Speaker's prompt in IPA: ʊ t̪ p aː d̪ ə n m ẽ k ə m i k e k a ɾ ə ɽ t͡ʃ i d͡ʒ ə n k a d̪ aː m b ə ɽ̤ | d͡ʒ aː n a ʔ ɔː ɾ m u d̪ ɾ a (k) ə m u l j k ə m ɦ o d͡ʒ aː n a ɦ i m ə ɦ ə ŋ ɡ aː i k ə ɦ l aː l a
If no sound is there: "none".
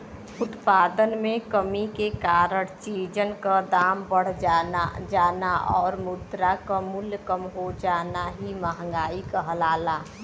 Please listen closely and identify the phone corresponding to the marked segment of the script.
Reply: k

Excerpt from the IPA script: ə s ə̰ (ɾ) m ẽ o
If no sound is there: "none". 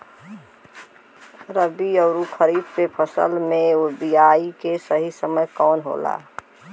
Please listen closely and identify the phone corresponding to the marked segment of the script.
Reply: l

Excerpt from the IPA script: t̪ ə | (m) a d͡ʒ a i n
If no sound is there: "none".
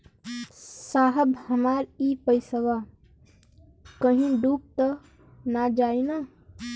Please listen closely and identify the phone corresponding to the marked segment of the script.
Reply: n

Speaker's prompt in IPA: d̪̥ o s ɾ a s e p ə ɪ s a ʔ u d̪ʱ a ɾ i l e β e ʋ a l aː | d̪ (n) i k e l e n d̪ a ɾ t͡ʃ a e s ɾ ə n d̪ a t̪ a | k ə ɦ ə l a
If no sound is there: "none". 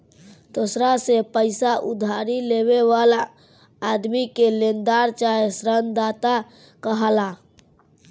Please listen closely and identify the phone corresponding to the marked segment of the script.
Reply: m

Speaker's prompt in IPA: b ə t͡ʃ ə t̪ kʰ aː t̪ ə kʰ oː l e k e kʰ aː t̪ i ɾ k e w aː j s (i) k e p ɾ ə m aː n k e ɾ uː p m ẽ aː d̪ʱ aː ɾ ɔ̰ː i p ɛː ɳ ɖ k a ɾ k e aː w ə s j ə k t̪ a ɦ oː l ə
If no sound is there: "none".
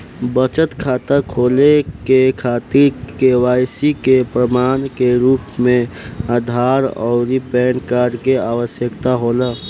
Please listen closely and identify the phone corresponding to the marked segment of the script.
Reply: i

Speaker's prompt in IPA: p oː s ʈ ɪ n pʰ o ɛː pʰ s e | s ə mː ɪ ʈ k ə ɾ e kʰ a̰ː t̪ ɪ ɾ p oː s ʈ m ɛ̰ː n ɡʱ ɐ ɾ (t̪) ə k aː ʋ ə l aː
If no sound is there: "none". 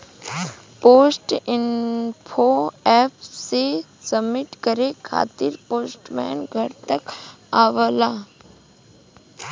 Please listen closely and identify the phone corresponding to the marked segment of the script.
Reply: t̪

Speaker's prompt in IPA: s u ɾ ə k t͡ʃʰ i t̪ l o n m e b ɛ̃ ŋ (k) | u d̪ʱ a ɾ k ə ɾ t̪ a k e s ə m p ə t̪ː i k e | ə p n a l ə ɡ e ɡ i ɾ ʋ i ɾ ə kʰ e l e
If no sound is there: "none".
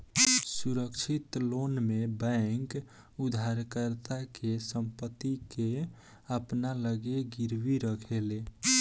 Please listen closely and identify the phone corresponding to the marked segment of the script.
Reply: k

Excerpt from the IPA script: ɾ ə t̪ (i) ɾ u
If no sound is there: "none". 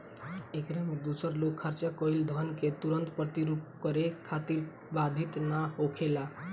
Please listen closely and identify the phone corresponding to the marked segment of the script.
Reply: i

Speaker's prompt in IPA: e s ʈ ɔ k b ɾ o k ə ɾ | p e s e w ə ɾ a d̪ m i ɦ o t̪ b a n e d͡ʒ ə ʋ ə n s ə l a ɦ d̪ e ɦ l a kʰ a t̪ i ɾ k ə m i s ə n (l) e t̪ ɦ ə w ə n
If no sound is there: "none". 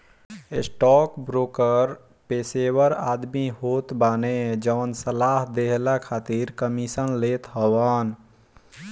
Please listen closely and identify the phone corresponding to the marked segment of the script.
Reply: l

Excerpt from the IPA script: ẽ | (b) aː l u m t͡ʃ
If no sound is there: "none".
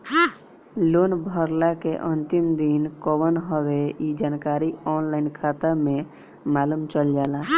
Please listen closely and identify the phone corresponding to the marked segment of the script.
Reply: m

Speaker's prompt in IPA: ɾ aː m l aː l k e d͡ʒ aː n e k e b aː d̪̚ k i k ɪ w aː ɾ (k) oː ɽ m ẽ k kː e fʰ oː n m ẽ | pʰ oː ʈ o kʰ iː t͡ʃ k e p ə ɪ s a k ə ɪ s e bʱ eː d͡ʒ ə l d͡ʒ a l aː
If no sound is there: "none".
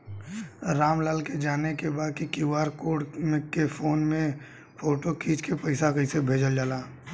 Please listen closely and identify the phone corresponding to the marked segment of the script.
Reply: k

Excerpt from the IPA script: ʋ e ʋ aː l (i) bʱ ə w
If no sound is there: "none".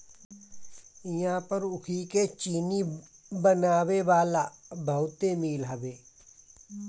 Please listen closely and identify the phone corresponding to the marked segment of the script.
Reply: a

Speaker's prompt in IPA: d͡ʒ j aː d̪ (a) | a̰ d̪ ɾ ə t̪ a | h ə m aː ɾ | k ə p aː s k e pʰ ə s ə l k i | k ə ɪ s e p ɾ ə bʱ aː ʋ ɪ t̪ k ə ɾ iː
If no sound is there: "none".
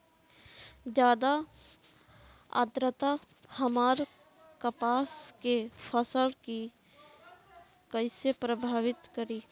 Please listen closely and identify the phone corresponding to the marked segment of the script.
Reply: a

